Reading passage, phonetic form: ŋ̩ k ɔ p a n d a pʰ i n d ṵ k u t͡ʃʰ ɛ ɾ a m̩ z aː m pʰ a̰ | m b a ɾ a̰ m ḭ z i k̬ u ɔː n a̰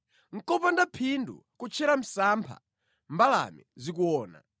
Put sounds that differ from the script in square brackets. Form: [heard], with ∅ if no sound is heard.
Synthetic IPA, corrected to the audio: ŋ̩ k ɔ p a n d a pʰ i n d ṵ k u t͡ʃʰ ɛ ɾ a m̩ [s] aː m pʰ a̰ | m b a [l] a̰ m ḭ z i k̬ u ɔː n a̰

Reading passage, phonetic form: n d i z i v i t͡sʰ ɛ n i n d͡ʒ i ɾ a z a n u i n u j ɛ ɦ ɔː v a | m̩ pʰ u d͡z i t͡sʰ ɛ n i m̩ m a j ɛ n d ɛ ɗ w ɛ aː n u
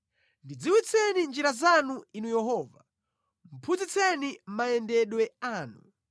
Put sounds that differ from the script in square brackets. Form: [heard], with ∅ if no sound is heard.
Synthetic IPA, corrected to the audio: n d i [d͡z] i [w] i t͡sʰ ɛ n i n d͡ʒ i ɾ a z a n u i n u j ɛ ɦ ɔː v a | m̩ pʰ u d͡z i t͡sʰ ɛ n i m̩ m a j ɛ n d ɛ ɗ w ɛ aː n u

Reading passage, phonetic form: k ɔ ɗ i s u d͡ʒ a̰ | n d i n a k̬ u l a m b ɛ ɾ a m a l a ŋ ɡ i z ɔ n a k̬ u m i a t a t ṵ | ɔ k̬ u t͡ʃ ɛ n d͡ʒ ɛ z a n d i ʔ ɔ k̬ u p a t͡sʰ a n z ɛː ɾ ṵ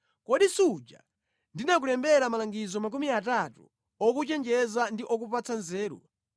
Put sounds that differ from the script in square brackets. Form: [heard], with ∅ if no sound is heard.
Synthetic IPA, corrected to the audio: k ɔ ɗ i s u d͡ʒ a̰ | n d i n a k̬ u l [ɛ] m b ɛ ɾ a m a l a ŋ ɡ i z ɔ [m] a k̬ u m i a t a t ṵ | ɔ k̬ u t͡ʃ ɛ n d͡ʒ ɛ z a n d i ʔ ɔ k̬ u p a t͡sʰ a n z ɛː ɾ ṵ

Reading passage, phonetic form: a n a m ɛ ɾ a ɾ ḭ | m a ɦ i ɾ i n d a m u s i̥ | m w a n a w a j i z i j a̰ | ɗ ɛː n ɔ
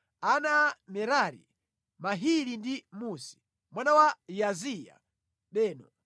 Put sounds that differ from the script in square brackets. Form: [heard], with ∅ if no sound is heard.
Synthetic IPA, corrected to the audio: a n a m ɛ ɾ a ɾ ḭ | m a ɦ i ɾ i n d [i] m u s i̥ | m w a n a w a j [a] z i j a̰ | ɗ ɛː n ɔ

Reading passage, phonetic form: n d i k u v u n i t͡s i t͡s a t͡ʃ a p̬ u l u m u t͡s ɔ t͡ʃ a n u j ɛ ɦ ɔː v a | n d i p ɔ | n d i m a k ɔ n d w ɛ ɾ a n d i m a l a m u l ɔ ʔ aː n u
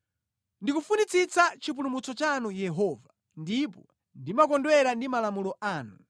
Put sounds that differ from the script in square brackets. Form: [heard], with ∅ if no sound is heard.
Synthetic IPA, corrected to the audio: n d i k u [f] u n i t͡s i t͡s a t͡ʃ [i] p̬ u l u m u t͡s ɔ t͡ʃ a n u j ɛ ɦ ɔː v a | n d i p ɔ | n d i m a k ɔ n d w ɛ ɾ a n d i m a l a m u l ɔ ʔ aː n u

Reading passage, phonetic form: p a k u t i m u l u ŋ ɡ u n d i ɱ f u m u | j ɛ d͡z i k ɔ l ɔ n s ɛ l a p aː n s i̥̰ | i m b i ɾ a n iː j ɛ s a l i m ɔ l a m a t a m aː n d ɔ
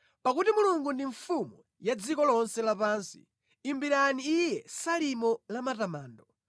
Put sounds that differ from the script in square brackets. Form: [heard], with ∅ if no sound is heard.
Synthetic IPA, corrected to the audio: p a k u t i m u l u ŋ ɡ u n d i ɱ f u m u | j [a] d͡z i k ɔ l ɔ n s ɛ l a p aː n s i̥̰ | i m b i ɾ a n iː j ɛ s a l i m ɔ l a m a t a m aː n d ɔ

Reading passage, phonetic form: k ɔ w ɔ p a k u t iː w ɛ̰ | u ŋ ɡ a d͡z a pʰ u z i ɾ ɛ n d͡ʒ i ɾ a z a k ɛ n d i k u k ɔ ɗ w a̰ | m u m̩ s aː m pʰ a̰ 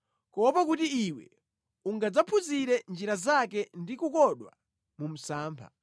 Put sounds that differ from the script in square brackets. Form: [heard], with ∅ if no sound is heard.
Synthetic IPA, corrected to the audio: k ɔ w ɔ p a k u t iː w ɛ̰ | u ŋ ɡ a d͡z a pʰ u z i ɾ ɛ n d͡ʒ i ɾ a z a k ɛ n d i k u k ɔ ɗ w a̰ | m u m̩ s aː m pʰ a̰

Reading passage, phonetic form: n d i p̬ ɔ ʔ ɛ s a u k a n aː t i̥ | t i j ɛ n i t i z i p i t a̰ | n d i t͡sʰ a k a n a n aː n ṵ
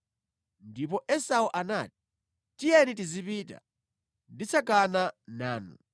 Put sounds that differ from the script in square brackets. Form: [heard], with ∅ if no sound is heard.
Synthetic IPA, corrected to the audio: n d i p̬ ɔ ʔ ɛ s a u [ʔ] a n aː t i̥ | t i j ɛ n i t i z i p i t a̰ | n d i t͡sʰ a k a n a n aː n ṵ

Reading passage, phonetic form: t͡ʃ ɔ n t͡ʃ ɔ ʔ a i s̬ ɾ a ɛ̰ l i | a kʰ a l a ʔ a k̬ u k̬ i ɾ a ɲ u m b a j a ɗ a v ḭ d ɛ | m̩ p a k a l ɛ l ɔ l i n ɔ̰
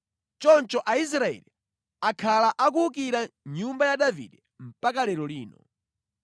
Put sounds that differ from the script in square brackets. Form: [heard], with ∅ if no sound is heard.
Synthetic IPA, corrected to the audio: t͡ʃ ɔ n t͡ʃ ɔ ʔ a i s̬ ɾ a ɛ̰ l i | a kʰ a l a ʔ a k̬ u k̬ i ɾ a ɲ u m b a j a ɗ a v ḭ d ɛ | m̩ p a k a l ɛ [ɾ] ɔ l [iː] n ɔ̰

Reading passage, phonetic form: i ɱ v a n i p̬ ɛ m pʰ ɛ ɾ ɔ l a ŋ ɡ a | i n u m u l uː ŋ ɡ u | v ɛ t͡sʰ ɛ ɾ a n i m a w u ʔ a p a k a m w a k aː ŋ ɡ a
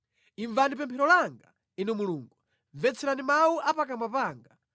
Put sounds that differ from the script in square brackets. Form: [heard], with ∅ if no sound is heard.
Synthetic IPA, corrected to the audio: i ɱ v a n i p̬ ɛ m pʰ ɛ ɾ ɔ l a ŋ ɡ a | i n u m u l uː ŋ ɡ u | v ɛ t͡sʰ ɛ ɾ a n i m a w u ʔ a p a k a m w a [p] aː ŋ ɡ a

